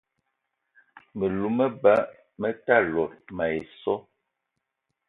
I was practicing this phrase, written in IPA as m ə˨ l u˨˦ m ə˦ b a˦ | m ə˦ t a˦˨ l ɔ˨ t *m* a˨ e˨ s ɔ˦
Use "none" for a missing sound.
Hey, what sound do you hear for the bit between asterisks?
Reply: m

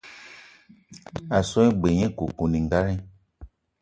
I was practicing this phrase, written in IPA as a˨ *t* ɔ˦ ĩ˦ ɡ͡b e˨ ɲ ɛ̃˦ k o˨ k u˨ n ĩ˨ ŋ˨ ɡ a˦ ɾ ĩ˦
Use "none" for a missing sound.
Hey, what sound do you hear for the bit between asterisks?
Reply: s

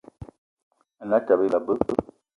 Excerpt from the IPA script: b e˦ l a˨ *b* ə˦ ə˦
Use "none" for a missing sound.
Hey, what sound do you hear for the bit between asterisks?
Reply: b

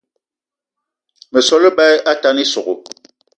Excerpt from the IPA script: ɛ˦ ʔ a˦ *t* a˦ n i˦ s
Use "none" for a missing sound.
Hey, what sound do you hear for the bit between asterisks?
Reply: t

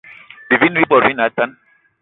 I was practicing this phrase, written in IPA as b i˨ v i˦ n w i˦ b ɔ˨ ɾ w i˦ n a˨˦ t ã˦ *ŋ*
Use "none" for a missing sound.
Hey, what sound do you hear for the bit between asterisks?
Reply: n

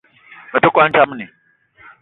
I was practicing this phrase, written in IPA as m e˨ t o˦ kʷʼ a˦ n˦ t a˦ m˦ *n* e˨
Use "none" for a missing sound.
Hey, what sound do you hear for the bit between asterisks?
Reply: n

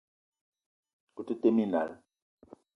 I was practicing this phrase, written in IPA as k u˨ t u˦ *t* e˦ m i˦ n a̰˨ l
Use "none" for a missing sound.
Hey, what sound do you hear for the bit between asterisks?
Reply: t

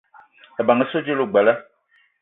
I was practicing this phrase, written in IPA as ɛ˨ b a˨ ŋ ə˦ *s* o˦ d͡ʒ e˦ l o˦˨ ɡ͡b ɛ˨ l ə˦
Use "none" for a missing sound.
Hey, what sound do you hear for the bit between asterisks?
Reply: s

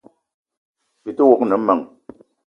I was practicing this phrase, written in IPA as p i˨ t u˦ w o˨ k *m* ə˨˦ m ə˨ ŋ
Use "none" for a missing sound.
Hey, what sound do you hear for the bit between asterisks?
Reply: n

